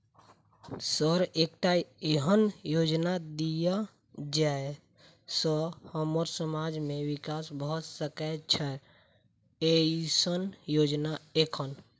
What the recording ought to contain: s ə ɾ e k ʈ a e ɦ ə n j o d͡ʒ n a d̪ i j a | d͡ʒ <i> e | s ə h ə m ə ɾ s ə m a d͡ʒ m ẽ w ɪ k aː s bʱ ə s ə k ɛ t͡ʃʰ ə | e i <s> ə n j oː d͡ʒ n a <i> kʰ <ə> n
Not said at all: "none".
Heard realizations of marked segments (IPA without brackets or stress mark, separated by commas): a, s, e, ə